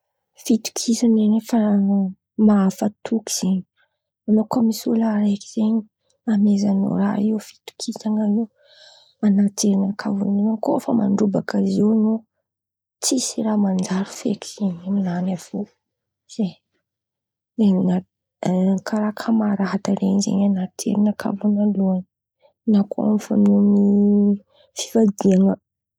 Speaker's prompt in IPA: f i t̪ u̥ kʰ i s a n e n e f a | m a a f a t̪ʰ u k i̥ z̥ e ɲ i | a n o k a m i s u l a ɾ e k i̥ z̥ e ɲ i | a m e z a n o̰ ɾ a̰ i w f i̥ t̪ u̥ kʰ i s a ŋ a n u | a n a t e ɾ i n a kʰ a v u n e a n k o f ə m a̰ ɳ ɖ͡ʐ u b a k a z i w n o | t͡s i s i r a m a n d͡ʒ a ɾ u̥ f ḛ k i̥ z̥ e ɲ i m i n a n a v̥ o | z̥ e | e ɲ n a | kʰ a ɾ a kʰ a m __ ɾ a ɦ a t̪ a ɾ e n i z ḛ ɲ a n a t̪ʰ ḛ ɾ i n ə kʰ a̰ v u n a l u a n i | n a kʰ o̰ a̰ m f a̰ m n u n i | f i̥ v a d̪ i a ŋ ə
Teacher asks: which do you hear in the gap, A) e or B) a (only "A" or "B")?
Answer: B